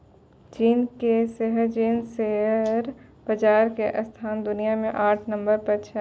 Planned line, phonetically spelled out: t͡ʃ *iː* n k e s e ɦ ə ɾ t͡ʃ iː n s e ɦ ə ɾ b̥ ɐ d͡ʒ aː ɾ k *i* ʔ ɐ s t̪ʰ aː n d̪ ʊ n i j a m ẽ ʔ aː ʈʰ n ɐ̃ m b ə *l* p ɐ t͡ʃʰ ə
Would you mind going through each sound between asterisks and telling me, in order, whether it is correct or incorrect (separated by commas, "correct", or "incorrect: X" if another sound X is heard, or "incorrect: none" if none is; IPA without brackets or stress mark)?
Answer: correct, incorrect: e, incorrect: ɾ